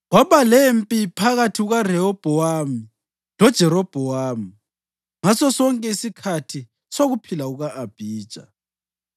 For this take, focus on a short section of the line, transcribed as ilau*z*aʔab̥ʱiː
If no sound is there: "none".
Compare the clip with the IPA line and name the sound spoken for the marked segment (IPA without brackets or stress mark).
ɣ